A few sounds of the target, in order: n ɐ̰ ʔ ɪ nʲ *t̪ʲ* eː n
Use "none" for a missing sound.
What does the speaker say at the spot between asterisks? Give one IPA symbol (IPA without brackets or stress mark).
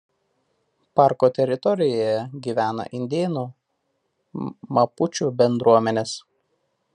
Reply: d̪ʲ